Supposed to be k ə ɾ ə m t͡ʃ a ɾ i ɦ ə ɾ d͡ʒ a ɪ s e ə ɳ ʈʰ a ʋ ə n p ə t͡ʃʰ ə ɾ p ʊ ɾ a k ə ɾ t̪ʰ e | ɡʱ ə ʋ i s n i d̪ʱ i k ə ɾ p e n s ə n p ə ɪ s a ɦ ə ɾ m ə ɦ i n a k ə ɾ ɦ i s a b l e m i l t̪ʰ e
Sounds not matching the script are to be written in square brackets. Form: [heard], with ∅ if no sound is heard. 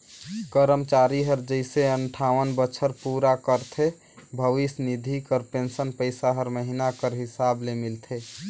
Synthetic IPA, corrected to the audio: k ə ɾ ə m t͡ʃ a ɾ i ɦ ə ɾ d͡ʒ [ə] ɪ s e ə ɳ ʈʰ a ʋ ə n [b] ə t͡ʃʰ ə ɾ p [u] ɾ a k ə ɾ t̪ʰ e | [bʱ] ə ʋ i s n i d̪ʱ i k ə ɾ p e n s ə n p ə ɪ s a ɦ ə ɾ m ə ɦ i n a k ə ɾ ɦ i s a b l e m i l t̪ʰ e